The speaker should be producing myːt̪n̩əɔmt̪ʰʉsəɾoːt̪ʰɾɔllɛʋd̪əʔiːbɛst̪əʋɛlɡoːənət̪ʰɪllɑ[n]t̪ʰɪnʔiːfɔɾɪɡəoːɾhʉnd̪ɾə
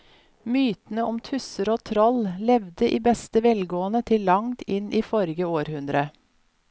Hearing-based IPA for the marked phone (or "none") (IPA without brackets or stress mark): ŋ